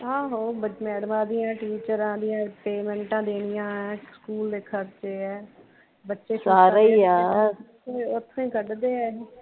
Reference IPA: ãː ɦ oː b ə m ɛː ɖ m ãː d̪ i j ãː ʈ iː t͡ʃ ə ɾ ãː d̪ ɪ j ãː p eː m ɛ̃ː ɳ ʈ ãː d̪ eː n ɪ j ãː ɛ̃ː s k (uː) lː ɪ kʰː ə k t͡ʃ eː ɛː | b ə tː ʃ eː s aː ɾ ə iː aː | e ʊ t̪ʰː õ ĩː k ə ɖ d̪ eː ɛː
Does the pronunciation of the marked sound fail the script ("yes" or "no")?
no